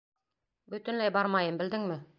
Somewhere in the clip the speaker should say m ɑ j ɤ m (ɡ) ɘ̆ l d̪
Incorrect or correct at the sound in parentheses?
incorrect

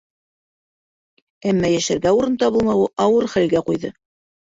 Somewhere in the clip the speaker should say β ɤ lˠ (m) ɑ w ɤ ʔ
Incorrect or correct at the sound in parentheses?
correct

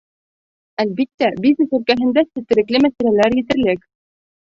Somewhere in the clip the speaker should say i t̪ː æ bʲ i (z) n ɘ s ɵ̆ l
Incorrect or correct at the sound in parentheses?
correct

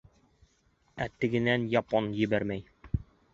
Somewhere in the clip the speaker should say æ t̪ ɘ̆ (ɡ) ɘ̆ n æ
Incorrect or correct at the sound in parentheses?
correct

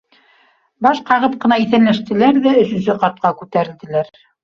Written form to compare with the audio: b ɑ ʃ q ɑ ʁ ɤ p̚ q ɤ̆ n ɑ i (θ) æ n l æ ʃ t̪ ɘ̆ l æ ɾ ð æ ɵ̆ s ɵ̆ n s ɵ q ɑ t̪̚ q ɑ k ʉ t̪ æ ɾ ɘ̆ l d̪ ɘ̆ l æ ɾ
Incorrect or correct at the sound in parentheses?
correct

